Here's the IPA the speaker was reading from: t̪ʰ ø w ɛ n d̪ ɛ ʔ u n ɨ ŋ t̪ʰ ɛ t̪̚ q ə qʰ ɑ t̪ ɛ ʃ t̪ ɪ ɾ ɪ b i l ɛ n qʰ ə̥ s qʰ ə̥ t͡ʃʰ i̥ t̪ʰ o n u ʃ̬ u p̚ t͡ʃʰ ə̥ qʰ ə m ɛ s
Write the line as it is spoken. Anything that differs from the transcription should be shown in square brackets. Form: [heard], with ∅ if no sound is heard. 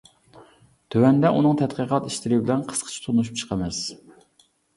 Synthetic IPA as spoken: t̪ʰ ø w ɛ n d̪ ɛ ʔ u n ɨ ŋ t̪ʰ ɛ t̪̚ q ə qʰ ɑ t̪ [i] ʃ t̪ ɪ ɾ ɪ b [ɪ] l ɛ n qʰ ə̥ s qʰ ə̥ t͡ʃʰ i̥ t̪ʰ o n u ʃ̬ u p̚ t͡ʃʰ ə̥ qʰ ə m ɛ s